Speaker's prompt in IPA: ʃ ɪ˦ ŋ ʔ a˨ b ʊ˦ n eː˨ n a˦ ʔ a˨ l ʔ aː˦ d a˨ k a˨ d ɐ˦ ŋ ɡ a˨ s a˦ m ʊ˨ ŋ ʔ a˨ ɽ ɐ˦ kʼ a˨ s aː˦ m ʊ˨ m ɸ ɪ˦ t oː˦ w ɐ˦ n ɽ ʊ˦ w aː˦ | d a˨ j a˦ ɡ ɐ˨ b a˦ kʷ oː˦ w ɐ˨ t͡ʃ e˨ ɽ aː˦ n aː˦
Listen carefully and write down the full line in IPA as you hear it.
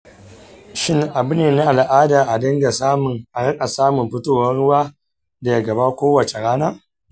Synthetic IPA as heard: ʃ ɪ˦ ŋ ʔ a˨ b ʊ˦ n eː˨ n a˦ ʔ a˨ l ʔ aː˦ d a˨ ʔ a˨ d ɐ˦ ŋ ɡ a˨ s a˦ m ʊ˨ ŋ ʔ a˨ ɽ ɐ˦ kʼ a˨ s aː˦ m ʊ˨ m ɸ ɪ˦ t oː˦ w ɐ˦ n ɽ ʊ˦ w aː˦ | d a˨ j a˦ ɡ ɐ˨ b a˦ kʷ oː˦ w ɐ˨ t͡ʃ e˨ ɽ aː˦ n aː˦